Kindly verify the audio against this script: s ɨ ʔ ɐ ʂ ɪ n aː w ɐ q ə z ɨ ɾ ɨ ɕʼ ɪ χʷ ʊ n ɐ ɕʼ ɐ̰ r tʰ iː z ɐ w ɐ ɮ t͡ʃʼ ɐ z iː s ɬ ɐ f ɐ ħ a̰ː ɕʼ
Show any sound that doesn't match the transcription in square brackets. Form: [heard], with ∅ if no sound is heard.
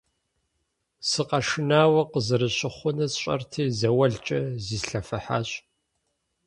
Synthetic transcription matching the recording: s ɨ [q] ɐ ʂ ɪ n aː w ɐ q ə z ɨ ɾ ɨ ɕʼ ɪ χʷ ʊ n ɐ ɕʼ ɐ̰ r tʰ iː z ɐ w ɐ ɮ t͡ʃʼ ɐ z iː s ɬ ɐ f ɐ ħ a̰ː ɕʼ